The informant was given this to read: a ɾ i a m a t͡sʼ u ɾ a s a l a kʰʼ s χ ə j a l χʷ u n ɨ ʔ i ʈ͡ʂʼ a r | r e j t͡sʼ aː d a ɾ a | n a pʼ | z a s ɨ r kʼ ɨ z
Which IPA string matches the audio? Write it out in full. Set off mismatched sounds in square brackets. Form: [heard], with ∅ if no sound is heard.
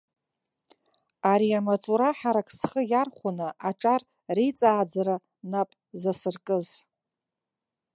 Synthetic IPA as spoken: a ɾ i a m a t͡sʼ u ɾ a [ħ] a [ɾ] a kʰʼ s χ ə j a [r] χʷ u n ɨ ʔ [a] ʈ͡ʂʼ a r | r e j t͡sʼ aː [d͡z] a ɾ a | n a pʼ | z a s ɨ r kʼ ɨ z

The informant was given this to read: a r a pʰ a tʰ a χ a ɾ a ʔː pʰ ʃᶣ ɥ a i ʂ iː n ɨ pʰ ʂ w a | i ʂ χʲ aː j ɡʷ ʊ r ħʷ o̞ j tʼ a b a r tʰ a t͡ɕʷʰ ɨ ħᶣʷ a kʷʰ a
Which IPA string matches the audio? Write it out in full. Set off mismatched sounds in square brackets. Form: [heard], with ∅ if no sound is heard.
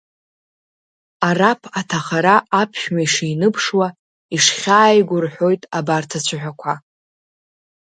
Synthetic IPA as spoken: a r a pʰ a tʰ a χ a ɾ a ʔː pʰ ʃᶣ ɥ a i ʂ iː n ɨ pʰ ʂ w a | i ʂ χʲ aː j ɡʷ ʊ r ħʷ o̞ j tʼ a b a r tʰ a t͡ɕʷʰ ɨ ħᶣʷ a kʷʰ a

